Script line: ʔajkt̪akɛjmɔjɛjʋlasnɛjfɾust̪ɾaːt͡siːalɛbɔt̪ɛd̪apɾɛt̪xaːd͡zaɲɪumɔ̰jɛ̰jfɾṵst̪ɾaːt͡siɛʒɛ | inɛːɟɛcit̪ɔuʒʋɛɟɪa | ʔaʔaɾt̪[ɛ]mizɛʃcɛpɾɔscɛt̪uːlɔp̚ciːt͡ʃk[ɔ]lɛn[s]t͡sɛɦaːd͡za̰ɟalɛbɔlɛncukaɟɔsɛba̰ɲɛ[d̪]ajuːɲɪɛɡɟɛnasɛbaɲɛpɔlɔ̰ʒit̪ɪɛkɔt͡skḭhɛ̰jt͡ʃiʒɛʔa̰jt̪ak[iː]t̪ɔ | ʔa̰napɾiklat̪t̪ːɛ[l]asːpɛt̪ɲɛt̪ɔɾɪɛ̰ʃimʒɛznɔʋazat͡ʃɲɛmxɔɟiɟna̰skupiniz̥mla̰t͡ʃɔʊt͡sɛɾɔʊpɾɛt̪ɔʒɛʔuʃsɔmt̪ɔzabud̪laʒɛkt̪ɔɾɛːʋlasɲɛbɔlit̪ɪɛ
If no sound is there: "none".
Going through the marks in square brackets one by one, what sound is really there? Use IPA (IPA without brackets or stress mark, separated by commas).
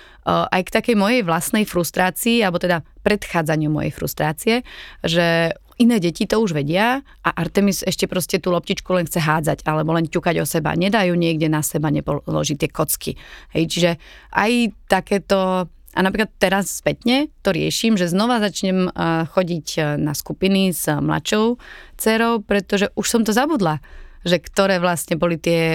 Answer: ɛ, u, x, d̪, ɛː, ɾ